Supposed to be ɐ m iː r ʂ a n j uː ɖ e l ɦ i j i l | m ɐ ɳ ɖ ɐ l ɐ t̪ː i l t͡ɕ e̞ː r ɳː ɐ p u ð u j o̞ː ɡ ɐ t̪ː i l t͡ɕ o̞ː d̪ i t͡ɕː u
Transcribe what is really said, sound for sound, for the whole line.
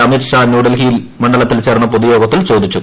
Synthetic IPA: ɐ m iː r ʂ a n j uː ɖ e l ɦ i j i l | m ɐ ɳ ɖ ɐ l ɐ t̪ː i l t͡ɕ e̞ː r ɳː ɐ p o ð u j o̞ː ɡ ɐ t̪ː i l t͡ɕ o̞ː d̪ i t͡ɕː u